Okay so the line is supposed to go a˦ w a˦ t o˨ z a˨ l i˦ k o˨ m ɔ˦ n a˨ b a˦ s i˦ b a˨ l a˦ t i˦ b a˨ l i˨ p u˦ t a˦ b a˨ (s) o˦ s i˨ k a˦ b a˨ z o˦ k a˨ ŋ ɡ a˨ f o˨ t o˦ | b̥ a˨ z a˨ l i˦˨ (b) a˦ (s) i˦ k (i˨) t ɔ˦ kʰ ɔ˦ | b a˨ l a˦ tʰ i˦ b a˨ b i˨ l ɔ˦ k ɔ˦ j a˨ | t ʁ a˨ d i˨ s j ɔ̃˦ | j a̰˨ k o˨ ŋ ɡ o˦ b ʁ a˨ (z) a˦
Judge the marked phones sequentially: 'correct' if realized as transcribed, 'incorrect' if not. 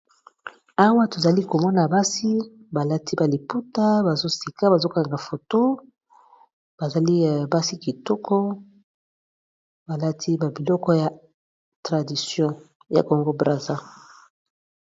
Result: incorrect: z, correct, correct, correct, correct

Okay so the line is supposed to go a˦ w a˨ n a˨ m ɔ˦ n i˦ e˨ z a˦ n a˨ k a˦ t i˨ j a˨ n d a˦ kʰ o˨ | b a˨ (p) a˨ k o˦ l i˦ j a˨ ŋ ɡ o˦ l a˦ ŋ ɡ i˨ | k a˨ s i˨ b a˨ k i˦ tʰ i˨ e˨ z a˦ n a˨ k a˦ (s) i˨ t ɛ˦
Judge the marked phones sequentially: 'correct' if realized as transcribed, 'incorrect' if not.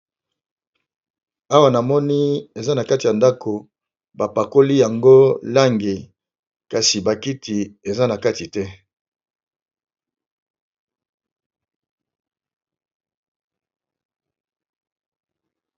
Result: correct, incorrect: t

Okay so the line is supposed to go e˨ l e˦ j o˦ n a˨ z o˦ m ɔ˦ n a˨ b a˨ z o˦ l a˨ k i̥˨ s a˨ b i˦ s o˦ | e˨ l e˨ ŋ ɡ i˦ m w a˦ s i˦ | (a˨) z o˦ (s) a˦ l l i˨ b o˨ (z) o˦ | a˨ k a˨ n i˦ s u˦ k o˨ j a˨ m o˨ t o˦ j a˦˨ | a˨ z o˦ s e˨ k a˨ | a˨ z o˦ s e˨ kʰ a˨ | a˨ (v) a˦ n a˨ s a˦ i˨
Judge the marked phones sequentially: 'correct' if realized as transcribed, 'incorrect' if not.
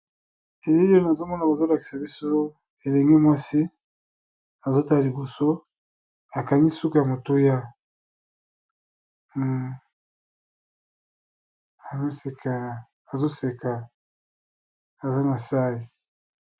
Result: correct, incorrect: t, incorrect: s, incorrect: z

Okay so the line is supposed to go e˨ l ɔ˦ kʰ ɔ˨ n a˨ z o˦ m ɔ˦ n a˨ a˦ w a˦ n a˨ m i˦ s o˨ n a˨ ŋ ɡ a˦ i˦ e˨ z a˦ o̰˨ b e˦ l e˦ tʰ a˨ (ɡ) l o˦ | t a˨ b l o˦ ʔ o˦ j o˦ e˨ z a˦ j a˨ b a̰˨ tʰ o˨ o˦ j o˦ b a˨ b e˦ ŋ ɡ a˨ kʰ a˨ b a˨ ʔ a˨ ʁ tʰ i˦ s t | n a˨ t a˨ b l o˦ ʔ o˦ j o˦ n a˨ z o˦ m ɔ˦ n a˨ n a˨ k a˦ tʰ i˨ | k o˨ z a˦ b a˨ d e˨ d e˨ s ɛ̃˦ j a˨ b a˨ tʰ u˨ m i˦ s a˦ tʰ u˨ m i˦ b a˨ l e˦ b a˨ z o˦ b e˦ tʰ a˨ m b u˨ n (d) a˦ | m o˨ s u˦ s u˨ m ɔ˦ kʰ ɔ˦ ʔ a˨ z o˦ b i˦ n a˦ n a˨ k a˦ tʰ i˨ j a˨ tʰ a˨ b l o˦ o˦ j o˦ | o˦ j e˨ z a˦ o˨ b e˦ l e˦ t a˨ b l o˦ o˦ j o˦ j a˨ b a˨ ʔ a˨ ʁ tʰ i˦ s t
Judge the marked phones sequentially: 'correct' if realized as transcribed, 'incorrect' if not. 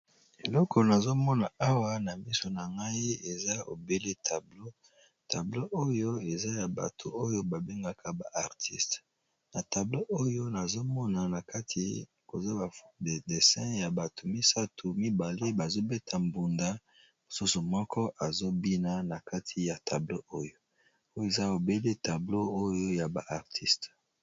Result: incorrect: b, correct

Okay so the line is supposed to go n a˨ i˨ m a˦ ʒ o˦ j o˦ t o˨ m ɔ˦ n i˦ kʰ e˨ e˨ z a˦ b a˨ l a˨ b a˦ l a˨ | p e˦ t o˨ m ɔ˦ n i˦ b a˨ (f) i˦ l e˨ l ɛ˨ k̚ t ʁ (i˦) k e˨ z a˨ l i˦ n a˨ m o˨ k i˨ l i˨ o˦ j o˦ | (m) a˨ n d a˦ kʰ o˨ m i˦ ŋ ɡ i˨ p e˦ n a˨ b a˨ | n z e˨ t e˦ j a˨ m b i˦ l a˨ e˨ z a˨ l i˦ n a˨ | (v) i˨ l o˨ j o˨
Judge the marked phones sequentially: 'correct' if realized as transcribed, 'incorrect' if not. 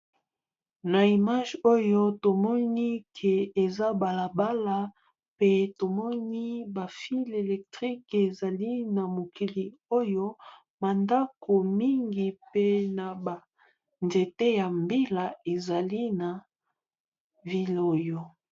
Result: correct, correct, correct, correct

